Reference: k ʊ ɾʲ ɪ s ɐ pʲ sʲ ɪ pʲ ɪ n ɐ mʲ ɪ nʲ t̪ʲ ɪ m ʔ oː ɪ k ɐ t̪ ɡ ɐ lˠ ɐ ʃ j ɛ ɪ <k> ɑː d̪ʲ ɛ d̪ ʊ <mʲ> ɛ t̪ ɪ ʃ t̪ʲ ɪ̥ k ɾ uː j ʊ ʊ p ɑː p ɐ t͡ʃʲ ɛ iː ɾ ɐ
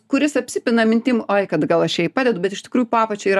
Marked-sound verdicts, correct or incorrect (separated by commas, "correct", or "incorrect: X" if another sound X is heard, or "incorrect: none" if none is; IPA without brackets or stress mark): incorrect: p, incorrect: bʲ